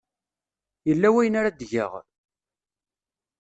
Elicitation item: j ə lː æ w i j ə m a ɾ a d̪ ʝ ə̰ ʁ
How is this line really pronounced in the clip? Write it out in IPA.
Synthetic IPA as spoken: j ə lː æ w æ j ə n a ɾ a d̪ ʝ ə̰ ʁ